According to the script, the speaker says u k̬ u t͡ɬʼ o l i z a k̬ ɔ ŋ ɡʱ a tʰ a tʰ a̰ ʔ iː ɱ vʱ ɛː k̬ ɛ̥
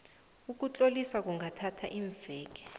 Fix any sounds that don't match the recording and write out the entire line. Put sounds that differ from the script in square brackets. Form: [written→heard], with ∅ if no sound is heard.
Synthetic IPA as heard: u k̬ u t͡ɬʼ o l i [z→s] a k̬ [ɔ→u] ŋ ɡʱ a tʰ a tʰ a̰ ʔ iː ɱ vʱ ɛː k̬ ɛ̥